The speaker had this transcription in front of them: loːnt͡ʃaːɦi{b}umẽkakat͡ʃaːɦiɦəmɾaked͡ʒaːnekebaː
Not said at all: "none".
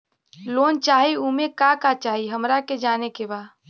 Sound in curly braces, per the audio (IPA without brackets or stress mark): none